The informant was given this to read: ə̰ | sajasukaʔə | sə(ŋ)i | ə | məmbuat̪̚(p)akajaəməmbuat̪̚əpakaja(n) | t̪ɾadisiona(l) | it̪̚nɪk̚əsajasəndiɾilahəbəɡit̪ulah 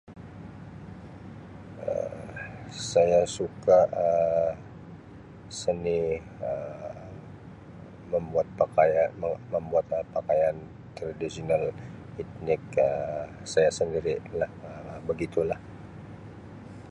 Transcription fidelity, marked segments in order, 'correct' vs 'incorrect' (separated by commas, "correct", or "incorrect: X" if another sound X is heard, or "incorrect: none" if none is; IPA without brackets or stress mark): incorrect: n, correct, correct, correct